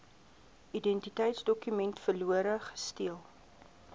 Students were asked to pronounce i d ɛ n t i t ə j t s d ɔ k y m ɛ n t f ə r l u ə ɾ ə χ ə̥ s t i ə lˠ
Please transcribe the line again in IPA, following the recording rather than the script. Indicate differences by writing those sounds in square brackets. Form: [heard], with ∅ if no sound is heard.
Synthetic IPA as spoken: i d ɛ n t i t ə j t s d ɔ k y m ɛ n t f ə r l u ə ɾ ə χ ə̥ s t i ə lˠ